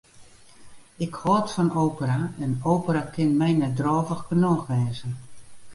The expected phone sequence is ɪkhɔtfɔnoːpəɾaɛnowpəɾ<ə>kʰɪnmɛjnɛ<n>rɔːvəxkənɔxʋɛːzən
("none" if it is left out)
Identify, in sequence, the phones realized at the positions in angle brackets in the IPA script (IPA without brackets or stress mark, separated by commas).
a, d